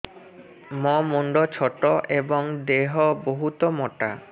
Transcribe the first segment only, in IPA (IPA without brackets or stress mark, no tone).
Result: m